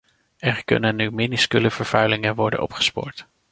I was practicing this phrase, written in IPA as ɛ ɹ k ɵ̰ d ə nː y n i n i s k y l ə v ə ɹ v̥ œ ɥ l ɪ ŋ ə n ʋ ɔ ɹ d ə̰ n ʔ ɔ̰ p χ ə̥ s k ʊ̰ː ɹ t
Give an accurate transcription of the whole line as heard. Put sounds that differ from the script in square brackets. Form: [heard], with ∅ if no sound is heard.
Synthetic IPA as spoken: ɛ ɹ k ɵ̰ [n] ə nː y [m] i n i s k y l ə v ə ɹ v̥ œ ɥ l ɪ ŋ ə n ʋ ɔ ɹ d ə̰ n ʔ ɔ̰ p χ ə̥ s [p] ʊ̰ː ɹ t